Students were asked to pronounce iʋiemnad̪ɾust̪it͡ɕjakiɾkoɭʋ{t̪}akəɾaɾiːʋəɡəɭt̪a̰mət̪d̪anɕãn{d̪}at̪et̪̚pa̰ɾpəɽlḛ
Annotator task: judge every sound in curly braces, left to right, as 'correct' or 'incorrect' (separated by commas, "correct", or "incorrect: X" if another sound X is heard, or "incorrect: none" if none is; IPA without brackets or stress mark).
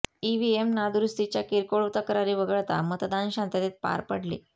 correct, incorrect: t̪